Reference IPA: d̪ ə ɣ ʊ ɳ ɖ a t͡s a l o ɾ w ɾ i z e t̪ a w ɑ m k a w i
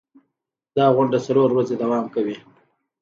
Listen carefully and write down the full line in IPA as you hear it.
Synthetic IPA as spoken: d̪ ɑ ɣ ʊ ɳ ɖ a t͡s a l o ɾ w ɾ a z e d̪ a w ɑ m k a w i